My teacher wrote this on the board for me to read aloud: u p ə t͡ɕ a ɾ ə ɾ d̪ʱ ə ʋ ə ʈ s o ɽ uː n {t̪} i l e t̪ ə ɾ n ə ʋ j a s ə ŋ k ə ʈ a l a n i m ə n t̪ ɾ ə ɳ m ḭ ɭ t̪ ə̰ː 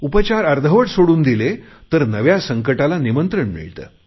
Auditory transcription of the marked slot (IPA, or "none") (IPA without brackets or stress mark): d̪